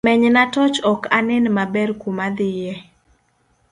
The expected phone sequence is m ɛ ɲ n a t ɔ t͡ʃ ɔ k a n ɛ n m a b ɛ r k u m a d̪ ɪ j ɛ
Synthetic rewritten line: m ɛ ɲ n a t ɔ t͡ʃ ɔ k a n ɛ n m a b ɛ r k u m a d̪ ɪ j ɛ